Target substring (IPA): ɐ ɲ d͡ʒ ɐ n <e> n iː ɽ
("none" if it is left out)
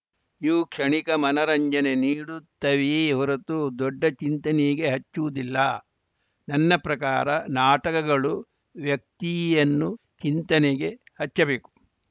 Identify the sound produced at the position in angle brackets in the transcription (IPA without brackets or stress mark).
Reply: e